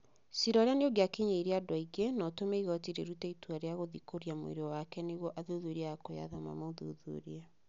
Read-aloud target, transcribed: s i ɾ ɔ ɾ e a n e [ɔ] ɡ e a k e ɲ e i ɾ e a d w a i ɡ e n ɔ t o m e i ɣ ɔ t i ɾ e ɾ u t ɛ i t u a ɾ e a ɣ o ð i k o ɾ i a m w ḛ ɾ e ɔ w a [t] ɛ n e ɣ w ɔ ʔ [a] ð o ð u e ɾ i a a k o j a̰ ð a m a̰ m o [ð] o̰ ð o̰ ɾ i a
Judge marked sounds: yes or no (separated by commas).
no, no, yes, yes